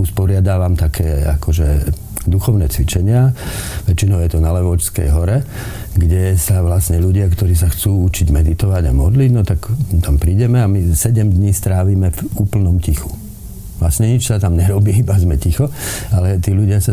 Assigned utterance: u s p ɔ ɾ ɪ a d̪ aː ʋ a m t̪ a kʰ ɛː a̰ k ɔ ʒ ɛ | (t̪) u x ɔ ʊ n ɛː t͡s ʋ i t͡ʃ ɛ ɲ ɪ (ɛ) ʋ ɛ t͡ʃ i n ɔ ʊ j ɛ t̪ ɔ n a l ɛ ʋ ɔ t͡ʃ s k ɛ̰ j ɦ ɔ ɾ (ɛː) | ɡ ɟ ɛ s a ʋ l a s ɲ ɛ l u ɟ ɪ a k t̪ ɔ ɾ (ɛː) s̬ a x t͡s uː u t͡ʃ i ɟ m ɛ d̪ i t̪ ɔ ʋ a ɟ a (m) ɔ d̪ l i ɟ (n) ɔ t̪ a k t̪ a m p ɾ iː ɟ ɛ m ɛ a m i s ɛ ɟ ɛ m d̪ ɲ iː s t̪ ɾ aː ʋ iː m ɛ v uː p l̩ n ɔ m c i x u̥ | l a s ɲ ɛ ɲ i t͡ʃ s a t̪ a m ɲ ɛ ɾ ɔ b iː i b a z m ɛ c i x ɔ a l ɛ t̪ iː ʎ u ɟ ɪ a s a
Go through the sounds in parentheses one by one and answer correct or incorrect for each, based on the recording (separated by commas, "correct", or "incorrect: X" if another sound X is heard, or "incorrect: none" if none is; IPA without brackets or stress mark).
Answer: incorrect: d̪, incorrect: a, incorrect: ɛ, incorrect: iː, correct, correct